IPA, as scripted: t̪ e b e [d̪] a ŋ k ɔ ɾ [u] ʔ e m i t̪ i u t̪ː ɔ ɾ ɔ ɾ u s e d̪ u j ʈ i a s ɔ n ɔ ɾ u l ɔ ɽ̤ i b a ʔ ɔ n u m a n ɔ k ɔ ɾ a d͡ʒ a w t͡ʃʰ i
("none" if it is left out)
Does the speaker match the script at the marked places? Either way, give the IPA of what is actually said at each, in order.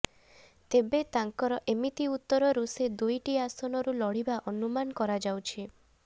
t̪, ɔ

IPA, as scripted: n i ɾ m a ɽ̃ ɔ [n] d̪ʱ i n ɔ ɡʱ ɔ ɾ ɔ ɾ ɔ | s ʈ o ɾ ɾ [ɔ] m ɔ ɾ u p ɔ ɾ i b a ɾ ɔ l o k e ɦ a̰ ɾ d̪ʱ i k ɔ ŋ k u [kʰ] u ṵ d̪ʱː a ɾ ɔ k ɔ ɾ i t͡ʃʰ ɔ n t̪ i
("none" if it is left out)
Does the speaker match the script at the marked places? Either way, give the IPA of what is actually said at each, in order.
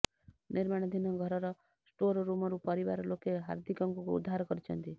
none, u, k

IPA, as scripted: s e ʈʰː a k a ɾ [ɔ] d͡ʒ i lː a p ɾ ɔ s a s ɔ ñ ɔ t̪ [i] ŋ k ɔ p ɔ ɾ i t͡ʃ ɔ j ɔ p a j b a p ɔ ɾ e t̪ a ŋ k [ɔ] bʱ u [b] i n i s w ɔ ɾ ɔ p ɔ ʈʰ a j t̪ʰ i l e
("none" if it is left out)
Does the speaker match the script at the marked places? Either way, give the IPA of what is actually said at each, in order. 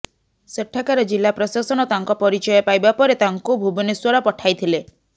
ɔ, a, u, b

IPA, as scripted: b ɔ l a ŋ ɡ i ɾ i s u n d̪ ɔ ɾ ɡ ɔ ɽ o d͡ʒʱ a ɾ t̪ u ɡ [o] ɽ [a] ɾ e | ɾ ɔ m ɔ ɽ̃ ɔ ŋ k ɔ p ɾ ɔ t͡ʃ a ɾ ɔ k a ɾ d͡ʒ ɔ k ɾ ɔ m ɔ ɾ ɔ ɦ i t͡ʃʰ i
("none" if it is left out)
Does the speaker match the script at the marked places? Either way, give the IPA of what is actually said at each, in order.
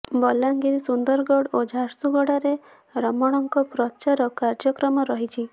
ɔ, a

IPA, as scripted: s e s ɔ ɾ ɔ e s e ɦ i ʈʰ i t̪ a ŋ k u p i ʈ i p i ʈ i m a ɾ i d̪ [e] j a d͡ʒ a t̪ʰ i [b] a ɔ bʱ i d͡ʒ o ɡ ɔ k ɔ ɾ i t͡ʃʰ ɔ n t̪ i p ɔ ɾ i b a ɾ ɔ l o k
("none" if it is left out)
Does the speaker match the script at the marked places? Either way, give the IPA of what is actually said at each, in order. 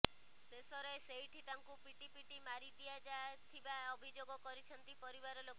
i, b

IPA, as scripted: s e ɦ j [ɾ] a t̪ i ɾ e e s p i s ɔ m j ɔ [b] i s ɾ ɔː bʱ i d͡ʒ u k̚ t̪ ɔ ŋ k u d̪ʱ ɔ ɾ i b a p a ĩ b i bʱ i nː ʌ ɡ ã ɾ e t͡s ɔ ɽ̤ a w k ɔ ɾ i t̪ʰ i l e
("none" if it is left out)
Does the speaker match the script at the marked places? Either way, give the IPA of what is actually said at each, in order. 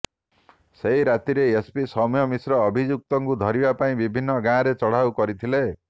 ɾ, m

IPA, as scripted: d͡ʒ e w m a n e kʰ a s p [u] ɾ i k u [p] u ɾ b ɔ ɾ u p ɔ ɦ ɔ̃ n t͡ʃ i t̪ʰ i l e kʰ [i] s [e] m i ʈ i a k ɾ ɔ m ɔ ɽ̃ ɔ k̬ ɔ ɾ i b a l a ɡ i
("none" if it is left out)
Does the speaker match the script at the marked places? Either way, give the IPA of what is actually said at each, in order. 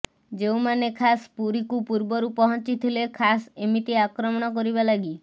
u, p, a, e

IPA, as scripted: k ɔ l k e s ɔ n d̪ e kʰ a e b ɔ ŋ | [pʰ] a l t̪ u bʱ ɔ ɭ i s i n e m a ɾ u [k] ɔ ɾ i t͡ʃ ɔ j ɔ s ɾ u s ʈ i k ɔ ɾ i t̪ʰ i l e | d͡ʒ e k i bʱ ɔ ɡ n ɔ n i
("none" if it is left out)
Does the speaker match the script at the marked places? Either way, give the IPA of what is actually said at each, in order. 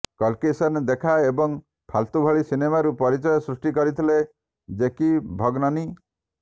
pʰ, p

